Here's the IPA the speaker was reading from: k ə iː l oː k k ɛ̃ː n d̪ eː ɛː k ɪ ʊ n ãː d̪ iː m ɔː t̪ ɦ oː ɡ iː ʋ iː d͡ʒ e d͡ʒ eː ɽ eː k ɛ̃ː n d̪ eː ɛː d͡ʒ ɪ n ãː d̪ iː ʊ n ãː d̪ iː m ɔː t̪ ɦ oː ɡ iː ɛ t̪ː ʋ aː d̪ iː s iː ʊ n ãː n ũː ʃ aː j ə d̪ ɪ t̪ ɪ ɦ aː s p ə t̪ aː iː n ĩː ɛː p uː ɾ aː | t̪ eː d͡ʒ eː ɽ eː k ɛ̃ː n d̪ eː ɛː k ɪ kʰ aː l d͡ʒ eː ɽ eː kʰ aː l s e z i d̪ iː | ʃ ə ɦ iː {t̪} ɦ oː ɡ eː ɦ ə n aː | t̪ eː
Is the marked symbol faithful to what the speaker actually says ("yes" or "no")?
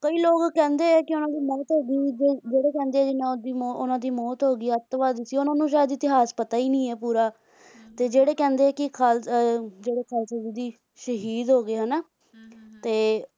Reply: no